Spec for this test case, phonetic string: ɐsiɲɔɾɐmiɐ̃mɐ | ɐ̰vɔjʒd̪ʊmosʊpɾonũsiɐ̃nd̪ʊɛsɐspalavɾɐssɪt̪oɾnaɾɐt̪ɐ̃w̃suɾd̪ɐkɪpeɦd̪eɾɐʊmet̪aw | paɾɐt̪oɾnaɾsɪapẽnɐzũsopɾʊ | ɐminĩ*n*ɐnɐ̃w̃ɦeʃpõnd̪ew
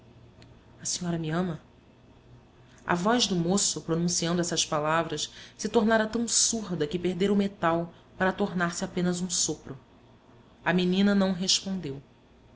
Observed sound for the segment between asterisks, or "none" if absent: n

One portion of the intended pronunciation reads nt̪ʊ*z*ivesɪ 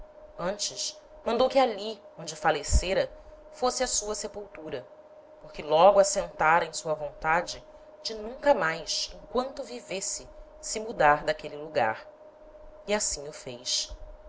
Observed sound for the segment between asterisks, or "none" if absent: v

